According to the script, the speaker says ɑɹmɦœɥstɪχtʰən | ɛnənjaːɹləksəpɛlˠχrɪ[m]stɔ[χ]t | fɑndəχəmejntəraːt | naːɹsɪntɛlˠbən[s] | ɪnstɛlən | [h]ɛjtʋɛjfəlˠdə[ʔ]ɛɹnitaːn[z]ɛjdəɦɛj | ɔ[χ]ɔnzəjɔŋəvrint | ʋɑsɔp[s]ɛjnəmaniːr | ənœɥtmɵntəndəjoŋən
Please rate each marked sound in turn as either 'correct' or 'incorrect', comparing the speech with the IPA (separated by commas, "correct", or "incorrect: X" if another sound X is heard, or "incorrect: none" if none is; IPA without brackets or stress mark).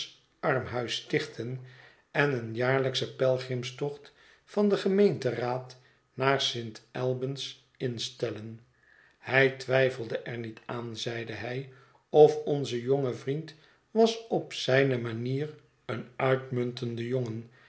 correct, correct, correct, correct, correct, correct, incorrect: f, correct